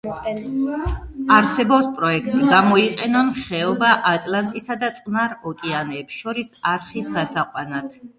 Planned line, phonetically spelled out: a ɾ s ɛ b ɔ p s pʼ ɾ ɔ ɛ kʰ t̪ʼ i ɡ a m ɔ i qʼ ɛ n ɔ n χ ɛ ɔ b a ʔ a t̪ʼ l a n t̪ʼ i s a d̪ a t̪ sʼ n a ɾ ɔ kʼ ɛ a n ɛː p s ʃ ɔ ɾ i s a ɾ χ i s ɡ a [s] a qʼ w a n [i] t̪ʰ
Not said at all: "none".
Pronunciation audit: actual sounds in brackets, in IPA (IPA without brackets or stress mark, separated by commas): s, a